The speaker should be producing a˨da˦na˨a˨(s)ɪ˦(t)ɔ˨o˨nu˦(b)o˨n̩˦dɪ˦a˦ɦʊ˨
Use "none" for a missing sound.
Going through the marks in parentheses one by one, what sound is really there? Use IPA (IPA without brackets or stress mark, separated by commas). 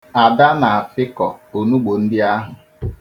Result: f, k, ɡ͡b